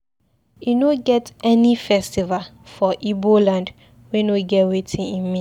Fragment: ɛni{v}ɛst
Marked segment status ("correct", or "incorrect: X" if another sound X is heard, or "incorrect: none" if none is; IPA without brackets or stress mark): incorrect: f